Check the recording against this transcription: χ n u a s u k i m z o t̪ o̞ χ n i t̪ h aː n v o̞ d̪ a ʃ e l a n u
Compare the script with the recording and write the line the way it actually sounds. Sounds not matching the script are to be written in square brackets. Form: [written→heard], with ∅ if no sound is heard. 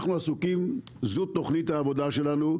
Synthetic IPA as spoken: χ n u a s u k i m z [o→u] t̪ o̞ χ n i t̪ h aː [n→∅] v o̞ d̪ a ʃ e l a n u